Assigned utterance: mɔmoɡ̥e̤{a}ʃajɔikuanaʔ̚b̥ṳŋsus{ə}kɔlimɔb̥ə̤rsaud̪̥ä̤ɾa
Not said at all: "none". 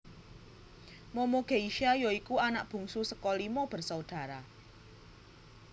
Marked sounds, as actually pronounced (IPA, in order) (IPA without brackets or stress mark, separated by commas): i, ə